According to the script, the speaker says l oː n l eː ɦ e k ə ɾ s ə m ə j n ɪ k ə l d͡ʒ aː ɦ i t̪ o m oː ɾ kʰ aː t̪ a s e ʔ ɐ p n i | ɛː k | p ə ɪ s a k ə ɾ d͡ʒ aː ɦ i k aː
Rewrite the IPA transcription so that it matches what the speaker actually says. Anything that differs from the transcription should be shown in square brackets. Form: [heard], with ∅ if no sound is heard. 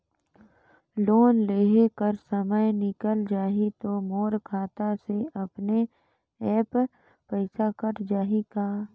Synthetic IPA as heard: l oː n l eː ɦ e k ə ɾ s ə m ə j n ɪ k ə l d͡ʒ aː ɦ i t̪ o m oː ɾ kʰ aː t̪ a s e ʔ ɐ p n [e] | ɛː [p] | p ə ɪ s a k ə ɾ d͡ʒ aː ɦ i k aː